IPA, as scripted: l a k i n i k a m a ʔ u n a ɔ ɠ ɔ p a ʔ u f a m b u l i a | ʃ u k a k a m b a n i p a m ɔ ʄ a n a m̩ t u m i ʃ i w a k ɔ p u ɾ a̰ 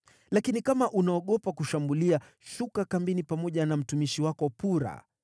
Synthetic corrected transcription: l a k i n i k a m a ʔ u n a ɔ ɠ ɔ p a k u ʃ a m b u l i a | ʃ u k a k a m b i n i p a m ɔ ʄ a n a m̩ t u m i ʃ i w a k ɔ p u ɾ a̰